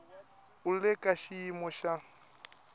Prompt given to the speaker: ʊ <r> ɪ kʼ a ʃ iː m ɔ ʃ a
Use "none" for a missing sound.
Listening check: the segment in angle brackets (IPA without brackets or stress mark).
l